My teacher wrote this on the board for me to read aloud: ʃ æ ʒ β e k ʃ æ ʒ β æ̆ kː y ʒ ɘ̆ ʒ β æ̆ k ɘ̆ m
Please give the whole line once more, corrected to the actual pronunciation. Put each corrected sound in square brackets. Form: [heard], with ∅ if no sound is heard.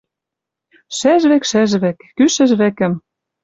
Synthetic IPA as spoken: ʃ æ ʒ β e k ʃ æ ʒ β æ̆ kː y [ʃ] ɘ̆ ʒ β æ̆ k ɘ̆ m